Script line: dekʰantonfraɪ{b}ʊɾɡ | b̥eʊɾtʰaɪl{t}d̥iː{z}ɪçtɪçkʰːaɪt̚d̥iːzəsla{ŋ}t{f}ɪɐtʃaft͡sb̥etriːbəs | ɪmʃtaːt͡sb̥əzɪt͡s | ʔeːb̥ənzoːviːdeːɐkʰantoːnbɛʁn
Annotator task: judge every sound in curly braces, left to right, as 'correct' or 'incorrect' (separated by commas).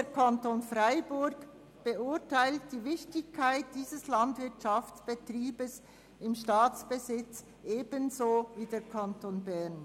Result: correct, correct, incorrect, incorrect, incorrect